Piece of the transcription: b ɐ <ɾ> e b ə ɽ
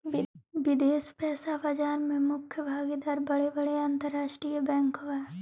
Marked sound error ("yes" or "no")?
yes